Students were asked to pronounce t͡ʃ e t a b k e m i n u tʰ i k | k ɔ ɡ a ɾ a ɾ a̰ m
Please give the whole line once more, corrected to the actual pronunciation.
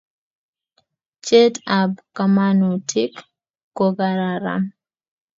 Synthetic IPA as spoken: t͡ʃ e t a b k a m a n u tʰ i k | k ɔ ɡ a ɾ a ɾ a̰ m